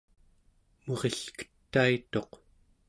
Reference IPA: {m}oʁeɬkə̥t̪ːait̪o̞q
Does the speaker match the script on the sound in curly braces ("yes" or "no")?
yes